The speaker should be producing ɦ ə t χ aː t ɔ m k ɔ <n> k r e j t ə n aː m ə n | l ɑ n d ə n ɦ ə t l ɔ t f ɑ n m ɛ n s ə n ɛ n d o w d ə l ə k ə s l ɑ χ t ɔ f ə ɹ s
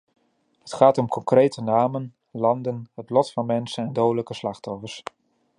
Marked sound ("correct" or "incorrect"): incorrect